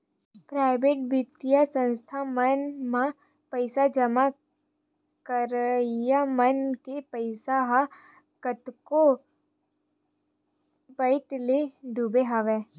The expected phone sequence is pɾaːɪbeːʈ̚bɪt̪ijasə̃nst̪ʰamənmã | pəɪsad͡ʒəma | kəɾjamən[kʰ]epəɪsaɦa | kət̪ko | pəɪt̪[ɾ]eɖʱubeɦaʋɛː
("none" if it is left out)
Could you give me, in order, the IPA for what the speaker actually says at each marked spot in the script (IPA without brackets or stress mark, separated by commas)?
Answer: k, l